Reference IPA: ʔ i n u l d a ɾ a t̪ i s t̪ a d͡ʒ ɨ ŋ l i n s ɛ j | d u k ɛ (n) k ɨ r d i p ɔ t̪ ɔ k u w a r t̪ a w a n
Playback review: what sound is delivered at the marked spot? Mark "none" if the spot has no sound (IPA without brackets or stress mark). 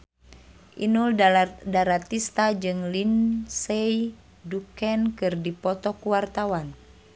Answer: n